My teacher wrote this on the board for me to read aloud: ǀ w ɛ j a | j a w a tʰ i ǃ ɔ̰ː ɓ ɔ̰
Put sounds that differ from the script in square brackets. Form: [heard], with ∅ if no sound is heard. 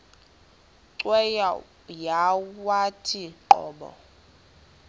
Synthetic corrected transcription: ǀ w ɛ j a | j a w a tʰ i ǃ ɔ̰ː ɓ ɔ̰

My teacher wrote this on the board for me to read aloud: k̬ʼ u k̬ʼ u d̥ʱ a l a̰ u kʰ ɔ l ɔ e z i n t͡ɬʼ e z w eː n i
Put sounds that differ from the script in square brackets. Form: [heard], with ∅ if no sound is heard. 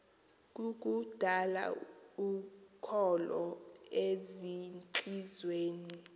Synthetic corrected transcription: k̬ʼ u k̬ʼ u d̥ʱ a l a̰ u kʰ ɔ l ɔ e z i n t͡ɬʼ [i] z w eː n i

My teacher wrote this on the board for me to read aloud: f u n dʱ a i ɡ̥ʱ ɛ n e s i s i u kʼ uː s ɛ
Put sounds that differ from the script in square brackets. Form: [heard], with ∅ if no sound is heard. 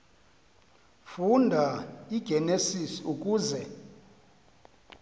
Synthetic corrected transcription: f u n dʱ a i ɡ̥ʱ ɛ n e s i s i u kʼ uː [z] ɛ

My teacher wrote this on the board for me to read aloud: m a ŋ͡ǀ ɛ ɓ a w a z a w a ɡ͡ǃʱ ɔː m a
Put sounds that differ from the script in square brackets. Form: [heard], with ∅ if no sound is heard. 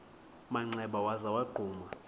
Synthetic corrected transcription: m a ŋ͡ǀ ɛ ɓ a w a z a w a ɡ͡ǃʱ [uː] m a

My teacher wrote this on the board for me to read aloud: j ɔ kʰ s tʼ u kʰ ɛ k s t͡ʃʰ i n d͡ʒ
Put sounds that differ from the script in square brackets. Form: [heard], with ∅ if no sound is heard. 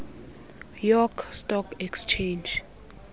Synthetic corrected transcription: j ɔ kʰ s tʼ [ɔ] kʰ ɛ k s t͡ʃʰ [e] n d͡ʒ

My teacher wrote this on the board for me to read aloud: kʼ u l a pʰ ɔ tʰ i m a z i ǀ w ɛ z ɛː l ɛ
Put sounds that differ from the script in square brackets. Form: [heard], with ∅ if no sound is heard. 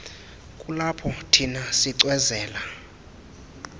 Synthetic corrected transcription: kʼ u l a pʰ ɔ tʰ i [n] a [s] i ǀ w ɛ z ɛː l [a]

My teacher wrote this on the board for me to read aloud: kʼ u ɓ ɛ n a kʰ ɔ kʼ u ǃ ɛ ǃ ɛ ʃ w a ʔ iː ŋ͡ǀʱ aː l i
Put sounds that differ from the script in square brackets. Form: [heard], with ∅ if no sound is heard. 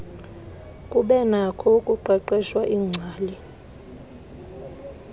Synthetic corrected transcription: kʼ u ɓ ɛ n a kʰ ɔ kʼ u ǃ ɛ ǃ ɛ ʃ w a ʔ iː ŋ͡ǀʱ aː l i

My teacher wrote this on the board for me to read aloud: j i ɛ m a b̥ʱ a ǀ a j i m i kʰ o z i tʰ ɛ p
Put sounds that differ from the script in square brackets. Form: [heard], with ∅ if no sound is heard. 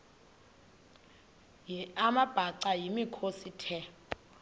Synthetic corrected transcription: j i [a] m a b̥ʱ a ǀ a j i m i kʰ o [s] i tʰ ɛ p

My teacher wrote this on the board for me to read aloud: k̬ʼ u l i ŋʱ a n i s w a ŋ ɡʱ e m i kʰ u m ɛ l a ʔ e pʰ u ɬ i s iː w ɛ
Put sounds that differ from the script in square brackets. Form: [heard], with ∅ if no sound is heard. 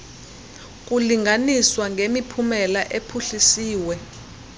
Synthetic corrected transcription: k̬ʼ u l i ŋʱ a n i s w a ŋ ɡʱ e m i [pʰ] u m ɛ l a ʔ e pʰ u ɬ i s iː w ɛ

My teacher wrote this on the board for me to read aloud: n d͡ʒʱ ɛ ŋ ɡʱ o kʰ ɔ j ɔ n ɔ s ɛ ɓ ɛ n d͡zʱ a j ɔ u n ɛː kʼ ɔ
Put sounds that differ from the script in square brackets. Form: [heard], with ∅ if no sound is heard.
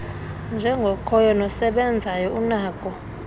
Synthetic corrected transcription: n d͡ʒʱ ɛ ŋ ɡʱ [ɔ] kʰ ɔ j ɔ n ɔ s ɛ ɓ ɛ n d͡zʱ a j ɔ u n [aː] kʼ ɔ

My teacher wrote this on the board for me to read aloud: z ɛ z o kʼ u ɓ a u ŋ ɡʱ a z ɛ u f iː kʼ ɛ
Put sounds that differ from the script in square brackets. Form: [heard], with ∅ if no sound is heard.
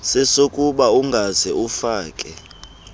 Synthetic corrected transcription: [s] ɛ [s] o kʼ u ɓ a u ŋ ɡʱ a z ɛ u f [aː] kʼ ɛ

